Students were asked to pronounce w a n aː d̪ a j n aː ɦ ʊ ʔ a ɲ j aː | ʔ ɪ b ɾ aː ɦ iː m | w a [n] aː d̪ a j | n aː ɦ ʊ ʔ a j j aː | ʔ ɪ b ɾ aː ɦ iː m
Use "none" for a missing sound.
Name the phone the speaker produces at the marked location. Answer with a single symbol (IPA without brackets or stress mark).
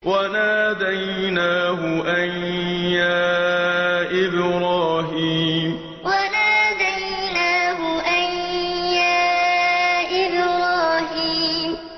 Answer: n